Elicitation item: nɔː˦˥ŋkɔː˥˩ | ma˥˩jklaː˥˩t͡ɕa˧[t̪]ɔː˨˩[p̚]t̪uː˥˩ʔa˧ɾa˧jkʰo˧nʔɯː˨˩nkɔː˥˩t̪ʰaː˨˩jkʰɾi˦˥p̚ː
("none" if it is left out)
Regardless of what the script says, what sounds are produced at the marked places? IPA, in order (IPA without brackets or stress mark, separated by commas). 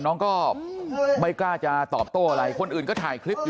t̪, p̚